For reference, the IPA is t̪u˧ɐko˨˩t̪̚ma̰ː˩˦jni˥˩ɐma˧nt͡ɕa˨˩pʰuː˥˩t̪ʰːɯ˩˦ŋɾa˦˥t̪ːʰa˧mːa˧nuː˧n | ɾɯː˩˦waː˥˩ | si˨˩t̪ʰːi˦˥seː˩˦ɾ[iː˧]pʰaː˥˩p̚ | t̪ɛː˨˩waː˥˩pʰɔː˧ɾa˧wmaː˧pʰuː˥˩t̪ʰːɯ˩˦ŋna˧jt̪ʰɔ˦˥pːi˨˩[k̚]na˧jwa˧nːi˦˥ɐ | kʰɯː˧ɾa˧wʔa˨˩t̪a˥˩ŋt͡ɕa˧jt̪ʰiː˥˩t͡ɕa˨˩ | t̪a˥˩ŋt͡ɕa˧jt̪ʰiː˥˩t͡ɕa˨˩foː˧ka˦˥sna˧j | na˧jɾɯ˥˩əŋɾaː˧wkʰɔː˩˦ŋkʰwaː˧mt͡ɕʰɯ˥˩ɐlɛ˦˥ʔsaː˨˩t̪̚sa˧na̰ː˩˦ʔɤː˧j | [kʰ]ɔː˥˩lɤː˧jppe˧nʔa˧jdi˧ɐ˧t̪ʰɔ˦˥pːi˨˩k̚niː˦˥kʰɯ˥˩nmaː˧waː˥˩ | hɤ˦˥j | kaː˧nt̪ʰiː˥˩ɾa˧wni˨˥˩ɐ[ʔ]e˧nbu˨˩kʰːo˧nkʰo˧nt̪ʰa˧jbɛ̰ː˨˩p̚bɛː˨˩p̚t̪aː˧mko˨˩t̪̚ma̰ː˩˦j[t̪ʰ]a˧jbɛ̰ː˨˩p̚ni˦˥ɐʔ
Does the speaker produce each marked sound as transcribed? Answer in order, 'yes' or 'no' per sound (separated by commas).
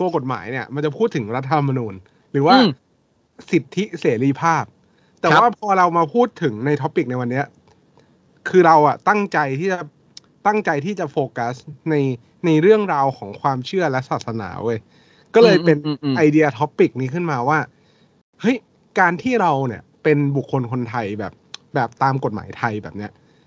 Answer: yes, yes, no, no, yes